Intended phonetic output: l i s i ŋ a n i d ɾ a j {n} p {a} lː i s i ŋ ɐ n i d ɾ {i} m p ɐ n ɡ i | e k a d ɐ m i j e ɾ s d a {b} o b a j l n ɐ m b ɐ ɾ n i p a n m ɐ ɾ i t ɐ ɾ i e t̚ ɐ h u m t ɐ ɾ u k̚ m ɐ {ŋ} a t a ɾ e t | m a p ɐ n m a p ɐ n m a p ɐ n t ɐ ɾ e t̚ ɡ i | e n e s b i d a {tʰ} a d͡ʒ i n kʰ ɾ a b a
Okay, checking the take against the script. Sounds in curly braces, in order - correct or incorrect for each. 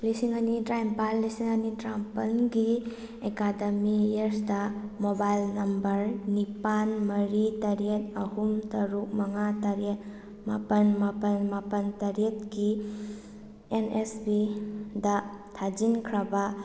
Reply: incorrect: m, correct, incorrect: a, incorrect: m, correct, correct

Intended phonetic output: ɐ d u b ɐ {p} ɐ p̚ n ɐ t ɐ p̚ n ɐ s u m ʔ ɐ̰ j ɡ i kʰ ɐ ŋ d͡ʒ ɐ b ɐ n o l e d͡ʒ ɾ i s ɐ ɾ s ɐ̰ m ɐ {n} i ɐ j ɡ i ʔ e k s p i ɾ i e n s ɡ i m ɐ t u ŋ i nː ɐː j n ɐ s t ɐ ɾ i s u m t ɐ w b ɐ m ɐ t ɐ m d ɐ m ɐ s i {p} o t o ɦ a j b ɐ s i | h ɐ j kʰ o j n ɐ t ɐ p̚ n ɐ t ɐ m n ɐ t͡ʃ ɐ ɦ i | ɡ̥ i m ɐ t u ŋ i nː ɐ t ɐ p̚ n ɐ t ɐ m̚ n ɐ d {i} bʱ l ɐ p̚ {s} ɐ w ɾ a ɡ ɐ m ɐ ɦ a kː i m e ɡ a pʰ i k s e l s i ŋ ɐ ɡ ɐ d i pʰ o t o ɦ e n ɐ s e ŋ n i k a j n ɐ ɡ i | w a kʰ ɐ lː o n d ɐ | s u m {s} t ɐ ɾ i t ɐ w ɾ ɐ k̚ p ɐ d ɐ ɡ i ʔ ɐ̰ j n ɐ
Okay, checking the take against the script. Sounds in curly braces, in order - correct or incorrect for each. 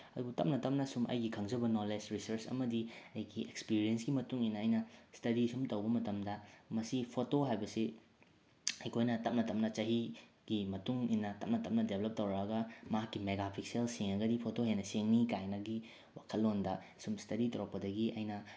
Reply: incorrect: t, incorrect: d, incorrect: pʰ, incorrect: e, incorrect: t, correct

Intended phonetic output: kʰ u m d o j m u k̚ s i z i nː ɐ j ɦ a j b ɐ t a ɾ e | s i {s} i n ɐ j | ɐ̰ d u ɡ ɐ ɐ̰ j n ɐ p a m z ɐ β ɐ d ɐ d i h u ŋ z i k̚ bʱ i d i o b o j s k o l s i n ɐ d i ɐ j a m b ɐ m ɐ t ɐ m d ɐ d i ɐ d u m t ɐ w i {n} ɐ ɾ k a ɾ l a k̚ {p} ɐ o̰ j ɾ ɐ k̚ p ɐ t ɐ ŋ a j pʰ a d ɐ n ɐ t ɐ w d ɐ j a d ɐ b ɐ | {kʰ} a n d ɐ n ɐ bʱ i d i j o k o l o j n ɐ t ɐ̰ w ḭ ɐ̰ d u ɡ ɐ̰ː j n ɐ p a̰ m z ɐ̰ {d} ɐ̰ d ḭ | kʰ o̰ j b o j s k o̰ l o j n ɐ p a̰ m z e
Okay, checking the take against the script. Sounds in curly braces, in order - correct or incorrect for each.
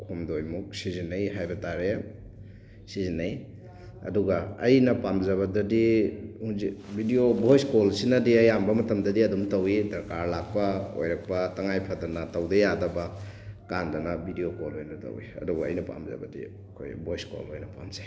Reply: incorrect: z, incorrect: d, correct, incorrect: k, incorrect: b

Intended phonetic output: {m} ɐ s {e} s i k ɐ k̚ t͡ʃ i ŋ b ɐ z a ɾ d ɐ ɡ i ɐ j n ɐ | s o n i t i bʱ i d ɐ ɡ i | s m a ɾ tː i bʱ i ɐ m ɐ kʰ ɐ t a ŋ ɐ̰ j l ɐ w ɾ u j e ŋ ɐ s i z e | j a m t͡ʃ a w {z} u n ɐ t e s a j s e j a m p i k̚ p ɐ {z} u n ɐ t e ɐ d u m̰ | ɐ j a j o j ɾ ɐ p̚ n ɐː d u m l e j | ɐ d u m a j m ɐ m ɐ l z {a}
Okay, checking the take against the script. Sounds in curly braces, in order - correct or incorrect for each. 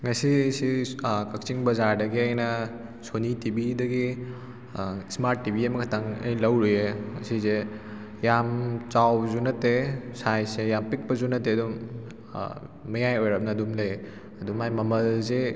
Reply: incorrect: ŋ, incorrect: i, correct, correct, incorrect: e

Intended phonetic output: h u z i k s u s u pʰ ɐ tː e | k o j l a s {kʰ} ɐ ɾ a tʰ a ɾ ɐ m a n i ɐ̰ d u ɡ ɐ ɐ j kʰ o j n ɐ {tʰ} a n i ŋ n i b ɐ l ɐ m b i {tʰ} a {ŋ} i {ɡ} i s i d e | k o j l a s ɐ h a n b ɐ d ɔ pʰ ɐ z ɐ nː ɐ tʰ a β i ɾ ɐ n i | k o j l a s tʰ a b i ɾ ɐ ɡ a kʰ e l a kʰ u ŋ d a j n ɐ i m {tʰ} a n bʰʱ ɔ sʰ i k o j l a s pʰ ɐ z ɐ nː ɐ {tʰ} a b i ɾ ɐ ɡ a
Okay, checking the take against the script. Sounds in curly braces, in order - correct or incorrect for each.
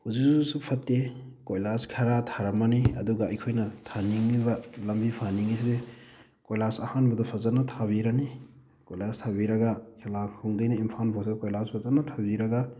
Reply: correct, correct, incorrect: pʰ, incorrect: n, incorrect: ŋ, incorrect: pʰ, correct

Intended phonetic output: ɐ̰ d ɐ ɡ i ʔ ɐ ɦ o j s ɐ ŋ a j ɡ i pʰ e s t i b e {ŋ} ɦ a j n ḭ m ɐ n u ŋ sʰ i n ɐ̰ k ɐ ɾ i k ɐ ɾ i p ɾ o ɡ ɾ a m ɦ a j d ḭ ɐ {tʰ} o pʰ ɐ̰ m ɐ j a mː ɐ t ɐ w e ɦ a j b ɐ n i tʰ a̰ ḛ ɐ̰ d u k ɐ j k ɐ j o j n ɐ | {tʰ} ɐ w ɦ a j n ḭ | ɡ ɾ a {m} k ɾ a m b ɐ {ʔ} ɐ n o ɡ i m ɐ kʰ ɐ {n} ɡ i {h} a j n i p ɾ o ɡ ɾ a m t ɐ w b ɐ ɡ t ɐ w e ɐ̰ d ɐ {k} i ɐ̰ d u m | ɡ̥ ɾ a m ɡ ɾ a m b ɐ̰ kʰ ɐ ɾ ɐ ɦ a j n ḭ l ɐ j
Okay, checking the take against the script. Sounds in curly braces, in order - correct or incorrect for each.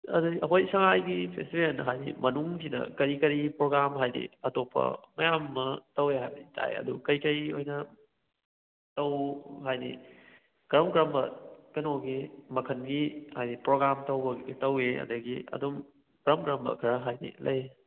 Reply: incorrect: n, incorrect: t, incorrect: t, correct, incorrect: k, correct, correct, incorrect: ɡ

